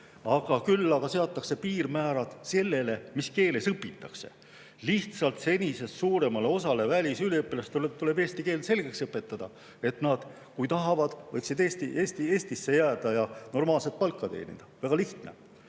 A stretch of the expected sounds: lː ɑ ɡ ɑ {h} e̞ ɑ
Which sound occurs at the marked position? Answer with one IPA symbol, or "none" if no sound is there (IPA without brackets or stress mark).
s